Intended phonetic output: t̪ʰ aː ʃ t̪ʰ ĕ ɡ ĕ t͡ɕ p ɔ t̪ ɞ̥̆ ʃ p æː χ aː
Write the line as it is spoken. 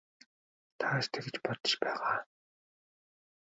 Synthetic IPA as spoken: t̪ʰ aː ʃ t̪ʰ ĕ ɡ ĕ t͡ɕ p ɔ t̪ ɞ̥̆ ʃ p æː ʁ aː